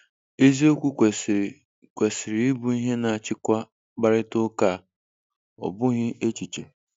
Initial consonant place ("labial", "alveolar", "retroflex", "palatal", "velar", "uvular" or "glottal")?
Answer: alveolar